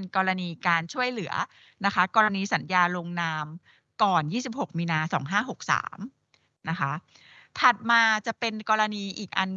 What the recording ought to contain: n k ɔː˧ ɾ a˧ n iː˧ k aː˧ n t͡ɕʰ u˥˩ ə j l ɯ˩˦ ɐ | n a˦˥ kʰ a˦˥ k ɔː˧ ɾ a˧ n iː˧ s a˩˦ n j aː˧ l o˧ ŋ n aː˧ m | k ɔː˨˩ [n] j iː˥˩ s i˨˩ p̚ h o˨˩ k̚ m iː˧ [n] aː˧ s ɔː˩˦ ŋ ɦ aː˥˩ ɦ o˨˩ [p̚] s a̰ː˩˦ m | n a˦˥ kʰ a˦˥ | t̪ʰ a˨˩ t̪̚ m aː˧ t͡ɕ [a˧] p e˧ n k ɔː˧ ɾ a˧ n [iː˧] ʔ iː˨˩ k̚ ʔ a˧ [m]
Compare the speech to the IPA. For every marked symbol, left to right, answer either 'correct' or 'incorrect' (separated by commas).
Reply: correct, correct, incorrect, incorrect, correct, incorrect